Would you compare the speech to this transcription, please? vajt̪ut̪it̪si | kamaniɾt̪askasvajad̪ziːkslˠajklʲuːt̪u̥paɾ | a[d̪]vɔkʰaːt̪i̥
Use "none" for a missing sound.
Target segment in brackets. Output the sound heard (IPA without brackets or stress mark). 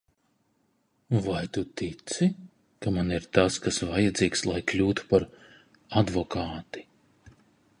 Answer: d̪